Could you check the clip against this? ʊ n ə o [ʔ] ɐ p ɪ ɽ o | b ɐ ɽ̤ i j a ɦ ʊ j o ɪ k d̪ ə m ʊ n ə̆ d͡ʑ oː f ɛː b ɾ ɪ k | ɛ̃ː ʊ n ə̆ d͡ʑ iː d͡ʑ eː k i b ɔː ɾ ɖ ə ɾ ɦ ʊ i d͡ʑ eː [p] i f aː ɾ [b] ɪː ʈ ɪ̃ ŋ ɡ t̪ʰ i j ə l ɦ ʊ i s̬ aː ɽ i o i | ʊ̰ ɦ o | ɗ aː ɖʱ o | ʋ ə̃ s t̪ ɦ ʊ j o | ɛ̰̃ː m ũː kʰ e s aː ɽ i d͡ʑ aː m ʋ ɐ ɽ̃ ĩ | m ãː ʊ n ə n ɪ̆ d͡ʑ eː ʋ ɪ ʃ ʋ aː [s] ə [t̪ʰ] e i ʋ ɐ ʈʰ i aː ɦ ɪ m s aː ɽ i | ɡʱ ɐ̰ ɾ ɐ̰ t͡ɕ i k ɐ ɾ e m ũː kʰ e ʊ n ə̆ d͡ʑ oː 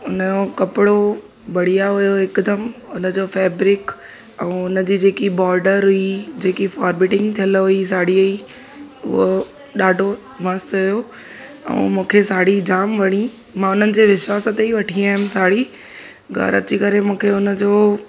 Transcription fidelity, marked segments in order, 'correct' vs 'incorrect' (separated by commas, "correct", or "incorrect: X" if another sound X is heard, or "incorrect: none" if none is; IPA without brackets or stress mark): incorrect: k, incorrect: k, correct, correct, incorrect: t̪